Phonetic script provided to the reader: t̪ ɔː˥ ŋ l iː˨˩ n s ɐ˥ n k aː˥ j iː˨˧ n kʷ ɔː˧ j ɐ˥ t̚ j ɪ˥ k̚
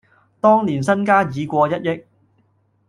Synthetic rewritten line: t̪ ɔː˥ ŋ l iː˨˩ n s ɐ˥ n k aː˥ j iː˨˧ kʷ ɔː˧ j ɐ˥ t̚ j ɪ˥ k̚